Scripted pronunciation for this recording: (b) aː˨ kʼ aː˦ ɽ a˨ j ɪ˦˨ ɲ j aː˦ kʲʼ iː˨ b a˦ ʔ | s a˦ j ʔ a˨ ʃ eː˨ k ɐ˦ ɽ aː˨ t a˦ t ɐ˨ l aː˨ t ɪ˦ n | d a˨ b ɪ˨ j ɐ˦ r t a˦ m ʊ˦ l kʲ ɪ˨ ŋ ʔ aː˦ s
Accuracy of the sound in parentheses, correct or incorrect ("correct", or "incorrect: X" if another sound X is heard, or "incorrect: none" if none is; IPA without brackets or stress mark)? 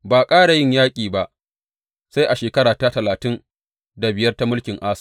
correct